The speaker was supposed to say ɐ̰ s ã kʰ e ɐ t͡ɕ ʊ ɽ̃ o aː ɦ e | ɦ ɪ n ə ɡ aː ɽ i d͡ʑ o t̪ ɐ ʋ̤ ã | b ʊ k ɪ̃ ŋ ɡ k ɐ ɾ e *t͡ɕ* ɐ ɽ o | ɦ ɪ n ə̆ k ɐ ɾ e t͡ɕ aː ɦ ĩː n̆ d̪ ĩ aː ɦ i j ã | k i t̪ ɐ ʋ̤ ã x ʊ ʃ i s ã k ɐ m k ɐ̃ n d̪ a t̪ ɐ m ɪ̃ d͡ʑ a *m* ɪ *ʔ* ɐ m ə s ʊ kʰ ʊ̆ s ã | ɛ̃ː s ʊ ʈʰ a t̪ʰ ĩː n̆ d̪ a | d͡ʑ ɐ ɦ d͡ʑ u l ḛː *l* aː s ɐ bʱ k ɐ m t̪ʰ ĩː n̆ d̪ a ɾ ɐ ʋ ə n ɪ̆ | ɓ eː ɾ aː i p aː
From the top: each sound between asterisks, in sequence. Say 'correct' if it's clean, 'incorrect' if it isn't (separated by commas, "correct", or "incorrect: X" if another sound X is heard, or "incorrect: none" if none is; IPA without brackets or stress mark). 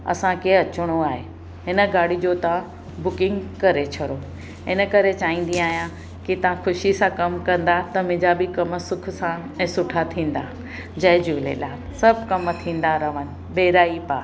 incorrect: t͡ɕʰ, incorrect: b, incorrect: k, correct